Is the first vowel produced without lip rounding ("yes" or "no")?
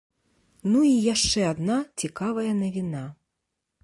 no